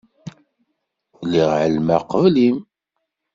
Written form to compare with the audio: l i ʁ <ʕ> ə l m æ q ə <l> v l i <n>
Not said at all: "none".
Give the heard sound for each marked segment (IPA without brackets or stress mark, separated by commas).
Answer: ʕ, none, m